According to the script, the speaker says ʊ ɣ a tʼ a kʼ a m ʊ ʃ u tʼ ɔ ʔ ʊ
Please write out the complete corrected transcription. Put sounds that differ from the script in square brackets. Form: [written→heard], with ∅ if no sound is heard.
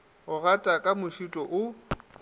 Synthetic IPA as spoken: ʊ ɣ a tʼ a kʼ a m ʊ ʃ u tʼ ɔ ʔ ʊ